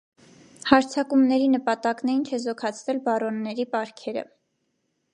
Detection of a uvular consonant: absent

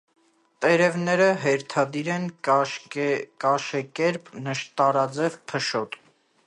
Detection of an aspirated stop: present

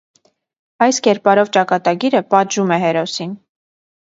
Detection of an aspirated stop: absent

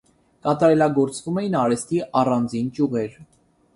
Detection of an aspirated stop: absent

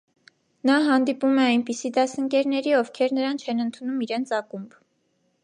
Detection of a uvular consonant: absent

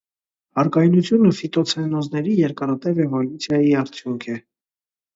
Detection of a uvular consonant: absent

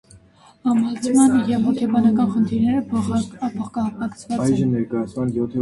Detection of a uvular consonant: present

